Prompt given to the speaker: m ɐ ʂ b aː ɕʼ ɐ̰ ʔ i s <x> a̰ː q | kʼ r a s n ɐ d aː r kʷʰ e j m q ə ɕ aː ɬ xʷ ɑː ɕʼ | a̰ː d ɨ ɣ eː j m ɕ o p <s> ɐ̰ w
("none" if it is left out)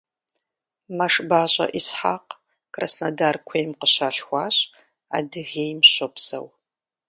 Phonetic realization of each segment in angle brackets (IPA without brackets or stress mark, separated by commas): ħ, s